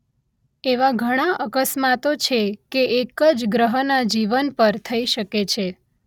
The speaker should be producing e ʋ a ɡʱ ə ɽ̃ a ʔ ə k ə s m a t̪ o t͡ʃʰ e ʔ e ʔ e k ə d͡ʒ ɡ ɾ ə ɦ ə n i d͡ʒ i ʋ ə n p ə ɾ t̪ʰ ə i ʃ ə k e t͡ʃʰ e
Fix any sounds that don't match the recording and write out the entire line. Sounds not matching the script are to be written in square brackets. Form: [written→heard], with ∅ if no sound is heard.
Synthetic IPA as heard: e ʋ a ɡʱ ə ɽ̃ a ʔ ə k ə s m a t̪ o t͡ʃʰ e [ʔ→k] e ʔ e k ə d͡ʒ ɡ ɾ ə ɦ ə n [i→a] d͡ʒ i ʋ ə n p ə ɾ t̪ʰ ə i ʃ ə k e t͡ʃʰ e